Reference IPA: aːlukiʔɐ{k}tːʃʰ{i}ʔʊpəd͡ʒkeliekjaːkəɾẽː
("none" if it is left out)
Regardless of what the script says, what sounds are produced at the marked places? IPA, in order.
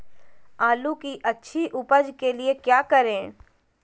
none, i

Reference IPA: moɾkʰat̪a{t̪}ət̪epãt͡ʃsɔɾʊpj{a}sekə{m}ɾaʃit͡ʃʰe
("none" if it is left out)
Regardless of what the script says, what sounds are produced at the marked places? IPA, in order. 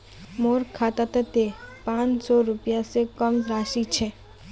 t̪, a, m

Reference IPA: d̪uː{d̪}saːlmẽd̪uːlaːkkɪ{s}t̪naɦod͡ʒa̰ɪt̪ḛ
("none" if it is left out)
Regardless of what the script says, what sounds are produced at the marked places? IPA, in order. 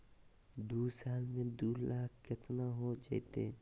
none, none

